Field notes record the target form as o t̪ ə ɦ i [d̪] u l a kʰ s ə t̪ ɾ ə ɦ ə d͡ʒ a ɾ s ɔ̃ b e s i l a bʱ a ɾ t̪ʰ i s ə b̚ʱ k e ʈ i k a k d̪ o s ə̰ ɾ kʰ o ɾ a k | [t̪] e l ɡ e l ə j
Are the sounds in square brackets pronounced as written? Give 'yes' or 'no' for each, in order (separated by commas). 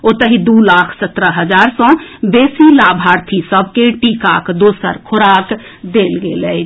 yes, no